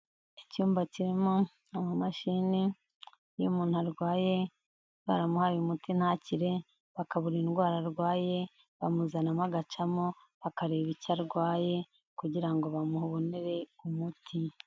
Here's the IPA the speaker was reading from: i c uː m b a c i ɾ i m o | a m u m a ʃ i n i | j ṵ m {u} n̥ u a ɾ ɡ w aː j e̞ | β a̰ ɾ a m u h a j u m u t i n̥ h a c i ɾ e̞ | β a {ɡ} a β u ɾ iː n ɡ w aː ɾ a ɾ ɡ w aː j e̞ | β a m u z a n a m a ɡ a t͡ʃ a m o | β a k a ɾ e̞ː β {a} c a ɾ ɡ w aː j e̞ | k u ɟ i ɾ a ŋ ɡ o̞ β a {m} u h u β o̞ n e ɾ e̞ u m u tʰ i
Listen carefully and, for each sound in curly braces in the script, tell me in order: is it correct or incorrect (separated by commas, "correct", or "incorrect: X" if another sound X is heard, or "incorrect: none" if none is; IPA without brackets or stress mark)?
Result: incorrect: uː, incorrect: k, incorrect: i, correct